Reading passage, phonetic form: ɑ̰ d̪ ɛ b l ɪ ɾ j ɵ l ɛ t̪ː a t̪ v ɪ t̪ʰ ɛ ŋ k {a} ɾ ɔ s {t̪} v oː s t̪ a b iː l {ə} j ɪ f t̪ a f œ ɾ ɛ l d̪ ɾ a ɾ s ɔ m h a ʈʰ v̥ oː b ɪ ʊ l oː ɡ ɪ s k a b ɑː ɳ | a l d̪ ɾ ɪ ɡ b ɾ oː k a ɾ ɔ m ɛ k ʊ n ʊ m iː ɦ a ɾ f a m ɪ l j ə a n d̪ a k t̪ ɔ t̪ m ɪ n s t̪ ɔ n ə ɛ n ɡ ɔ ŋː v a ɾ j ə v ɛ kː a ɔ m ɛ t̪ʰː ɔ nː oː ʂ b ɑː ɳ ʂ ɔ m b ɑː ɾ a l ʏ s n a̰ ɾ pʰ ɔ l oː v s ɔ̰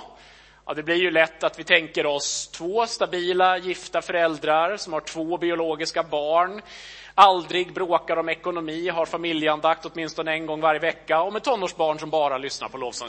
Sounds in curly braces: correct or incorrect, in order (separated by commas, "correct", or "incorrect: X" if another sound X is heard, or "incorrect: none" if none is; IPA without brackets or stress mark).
incorrect: ə, incorrect: t̪ʰ, incorrect: a